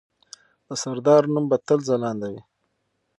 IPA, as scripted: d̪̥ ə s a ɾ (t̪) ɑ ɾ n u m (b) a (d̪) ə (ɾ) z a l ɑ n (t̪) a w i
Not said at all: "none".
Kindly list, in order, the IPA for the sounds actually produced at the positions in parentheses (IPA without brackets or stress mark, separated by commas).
d̪, b, t̪, l, d̪